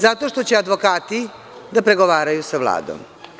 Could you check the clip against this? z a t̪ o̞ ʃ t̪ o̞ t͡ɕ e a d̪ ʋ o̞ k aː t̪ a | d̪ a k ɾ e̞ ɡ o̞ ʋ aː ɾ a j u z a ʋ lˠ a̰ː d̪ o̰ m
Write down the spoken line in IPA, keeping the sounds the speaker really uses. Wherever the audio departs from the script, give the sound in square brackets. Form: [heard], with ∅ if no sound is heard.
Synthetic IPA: z a t̪ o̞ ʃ t̪ o̞ t͡ɕ e a d̪ ʋ o̞ k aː t̪ [i] | d̪ a [p] ɾ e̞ ɡ o̞ ʋ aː ɾ a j u [s] a ʋ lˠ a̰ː d̪ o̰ m